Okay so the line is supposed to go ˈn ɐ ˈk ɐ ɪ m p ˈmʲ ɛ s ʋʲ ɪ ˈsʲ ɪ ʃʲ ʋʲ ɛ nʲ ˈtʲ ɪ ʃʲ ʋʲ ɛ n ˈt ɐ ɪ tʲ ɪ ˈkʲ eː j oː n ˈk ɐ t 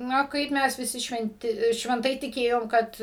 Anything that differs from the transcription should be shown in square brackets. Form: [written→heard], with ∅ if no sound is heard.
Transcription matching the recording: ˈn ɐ ˈk ɐ ɪ [m→∅] p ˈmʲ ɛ s ʋʲ ɪ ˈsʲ ɪ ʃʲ ʋʲ ɛ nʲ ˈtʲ ɪ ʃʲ ʋʲ ɛ n ˈt ɐ ɪ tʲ ɪ ˈkʲ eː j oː [n→m] ˈk ɐ t